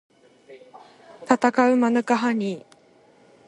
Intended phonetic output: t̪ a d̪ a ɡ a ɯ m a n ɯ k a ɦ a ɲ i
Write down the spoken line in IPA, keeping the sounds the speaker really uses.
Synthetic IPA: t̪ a t̪ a k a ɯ m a n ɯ k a ɦ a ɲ i